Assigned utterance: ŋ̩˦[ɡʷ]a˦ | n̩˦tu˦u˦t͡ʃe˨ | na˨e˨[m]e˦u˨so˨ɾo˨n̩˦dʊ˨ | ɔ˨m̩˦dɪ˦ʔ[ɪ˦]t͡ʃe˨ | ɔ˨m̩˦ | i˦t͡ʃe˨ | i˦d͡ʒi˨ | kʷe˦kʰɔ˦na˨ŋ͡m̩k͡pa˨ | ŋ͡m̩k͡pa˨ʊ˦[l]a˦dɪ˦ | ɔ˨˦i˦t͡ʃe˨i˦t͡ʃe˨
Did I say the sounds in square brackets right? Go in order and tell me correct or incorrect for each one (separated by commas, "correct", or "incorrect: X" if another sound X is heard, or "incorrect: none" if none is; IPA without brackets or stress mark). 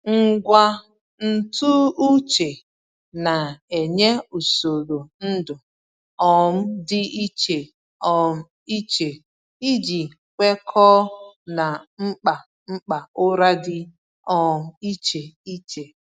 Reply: correct, incorrect: ɲ, incorrect: i˦, incorrect: ɾ